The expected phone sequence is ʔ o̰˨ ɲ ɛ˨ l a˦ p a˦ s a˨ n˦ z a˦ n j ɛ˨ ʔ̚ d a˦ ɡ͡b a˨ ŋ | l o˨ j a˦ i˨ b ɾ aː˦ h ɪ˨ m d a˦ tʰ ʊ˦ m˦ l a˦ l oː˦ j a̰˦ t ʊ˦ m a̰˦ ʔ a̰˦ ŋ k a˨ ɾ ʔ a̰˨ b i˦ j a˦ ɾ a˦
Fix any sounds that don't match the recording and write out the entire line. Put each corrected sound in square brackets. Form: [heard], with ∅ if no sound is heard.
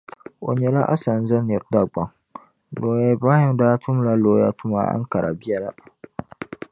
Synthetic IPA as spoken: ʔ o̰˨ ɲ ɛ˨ l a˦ [ʔ] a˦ s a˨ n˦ z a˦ n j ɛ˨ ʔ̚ d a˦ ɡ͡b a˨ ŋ | l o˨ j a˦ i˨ b ɾ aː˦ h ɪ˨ m d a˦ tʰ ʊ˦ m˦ l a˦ l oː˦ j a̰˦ t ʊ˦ m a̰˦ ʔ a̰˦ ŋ k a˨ ɾ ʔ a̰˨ b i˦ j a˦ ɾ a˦